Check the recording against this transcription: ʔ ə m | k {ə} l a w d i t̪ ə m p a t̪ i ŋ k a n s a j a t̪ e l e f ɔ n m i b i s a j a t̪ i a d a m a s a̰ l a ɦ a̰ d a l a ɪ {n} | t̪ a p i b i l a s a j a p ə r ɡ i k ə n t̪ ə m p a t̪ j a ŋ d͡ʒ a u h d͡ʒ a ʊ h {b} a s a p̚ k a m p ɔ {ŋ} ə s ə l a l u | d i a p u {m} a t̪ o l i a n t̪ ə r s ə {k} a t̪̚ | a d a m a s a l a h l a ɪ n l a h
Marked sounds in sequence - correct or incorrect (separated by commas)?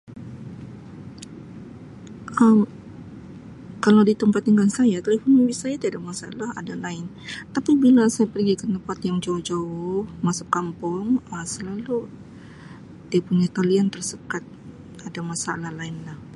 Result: incorrect, correct, incorrect, correct, incorrect, correct